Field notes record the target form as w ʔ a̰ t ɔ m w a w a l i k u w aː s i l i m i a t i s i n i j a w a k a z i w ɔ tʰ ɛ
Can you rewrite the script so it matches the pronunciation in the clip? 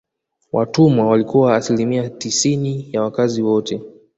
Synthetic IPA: w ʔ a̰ t u m w a w a l i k u w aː s i l i m i a t i s i n i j a w a k a z i w ɔ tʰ ɛ